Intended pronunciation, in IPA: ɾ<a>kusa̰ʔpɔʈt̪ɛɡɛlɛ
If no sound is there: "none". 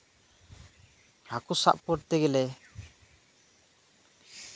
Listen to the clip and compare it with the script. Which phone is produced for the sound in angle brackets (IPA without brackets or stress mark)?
a